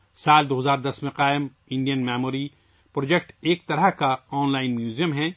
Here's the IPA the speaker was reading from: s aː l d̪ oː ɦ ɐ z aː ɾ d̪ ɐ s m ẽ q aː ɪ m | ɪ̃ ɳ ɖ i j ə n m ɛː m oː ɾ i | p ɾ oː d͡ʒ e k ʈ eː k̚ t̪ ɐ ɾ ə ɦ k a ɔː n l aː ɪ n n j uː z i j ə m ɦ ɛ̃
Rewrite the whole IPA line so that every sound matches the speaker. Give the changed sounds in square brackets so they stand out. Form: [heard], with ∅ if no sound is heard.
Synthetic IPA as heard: s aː l d̪ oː ɦ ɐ z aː ɾ d̪ ɐ s m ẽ q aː ɪ m | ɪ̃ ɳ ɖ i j ə n m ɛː m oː ɾ i | p ɾ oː d͡ʒ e k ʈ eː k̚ t̪ ɐ ɾ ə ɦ k a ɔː n l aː ɪ n [m] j uː z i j ə m ɦ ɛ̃

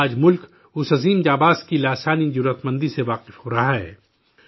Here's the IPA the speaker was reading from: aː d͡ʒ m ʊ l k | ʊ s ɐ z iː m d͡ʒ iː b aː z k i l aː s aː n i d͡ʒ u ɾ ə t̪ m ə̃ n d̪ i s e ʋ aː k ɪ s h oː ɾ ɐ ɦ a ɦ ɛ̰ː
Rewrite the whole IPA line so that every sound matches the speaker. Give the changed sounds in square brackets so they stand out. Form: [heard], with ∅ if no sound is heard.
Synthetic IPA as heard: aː d͡ʒ m ʊ l k | ʊ s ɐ z iː m d͡ʒ [aː] b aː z k i l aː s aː n i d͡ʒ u ɾ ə t̪ m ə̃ n d̪ i s e ʋ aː [q] ɪ [f] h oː ɾ ɐ ɦ a ɦ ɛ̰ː

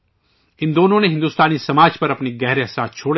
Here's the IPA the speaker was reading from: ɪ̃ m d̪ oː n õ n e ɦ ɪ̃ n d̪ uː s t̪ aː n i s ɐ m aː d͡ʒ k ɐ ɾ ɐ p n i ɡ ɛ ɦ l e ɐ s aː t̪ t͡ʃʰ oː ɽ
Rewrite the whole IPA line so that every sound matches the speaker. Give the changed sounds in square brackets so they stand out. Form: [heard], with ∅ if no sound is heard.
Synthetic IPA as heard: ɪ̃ [n] d̪ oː n õ n e ɦ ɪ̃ n d̪ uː s t̪ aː n i s ɐ m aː d͡ʒ [p] ɐ ɾ ɐ p n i ɡ ɛ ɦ [ɾ] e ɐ s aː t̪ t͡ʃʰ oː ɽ

